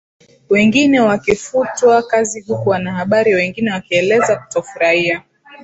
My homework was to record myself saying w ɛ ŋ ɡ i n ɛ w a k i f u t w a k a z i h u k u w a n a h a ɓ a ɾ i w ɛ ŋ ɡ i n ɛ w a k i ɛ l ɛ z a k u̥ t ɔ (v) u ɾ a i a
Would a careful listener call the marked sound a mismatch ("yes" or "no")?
yes